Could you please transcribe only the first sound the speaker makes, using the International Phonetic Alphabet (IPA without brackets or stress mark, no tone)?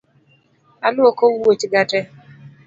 a